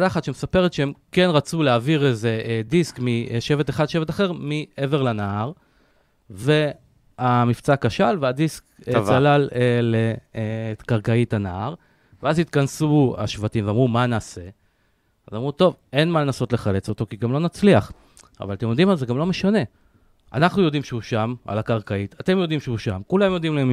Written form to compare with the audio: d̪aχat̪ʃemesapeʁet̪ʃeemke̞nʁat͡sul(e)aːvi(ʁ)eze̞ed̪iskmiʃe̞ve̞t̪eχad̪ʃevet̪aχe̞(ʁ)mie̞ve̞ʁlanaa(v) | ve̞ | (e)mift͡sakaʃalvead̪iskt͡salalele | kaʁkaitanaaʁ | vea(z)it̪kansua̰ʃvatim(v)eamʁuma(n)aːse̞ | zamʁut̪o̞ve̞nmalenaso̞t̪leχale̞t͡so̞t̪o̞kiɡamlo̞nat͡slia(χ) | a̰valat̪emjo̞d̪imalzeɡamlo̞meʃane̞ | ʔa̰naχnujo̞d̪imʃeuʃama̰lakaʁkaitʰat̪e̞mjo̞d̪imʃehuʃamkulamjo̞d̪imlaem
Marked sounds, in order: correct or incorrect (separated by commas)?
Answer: correct, correct, correct, incorrect, incorrect, correct, correct, correct, correct